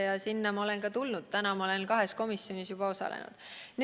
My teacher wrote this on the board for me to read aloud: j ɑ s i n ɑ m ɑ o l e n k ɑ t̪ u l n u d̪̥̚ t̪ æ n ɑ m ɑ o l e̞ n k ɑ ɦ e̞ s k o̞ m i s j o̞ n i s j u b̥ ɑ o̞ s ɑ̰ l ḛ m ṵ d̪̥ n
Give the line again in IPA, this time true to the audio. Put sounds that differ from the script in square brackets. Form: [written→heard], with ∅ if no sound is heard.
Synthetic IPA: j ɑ s i [n→nː] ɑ m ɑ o l e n k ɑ t̪ u l n u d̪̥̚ t̪ æ n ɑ m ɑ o l e̞ n k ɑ ɦ e̞ s k o̞ m i s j o̞ n i s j u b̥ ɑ o̞ s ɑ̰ l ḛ [m→n] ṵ d̪̥ n